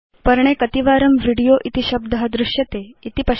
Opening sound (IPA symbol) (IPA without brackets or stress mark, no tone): p